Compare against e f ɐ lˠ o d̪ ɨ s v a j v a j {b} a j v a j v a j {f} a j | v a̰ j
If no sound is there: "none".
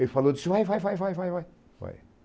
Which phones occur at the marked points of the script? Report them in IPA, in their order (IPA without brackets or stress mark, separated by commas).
v, v